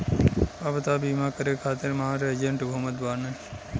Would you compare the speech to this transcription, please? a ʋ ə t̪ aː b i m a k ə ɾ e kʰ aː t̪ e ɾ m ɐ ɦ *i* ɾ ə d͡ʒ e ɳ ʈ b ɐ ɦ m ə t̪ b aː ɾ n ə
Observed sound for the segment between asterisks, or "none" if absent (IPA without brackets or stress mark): a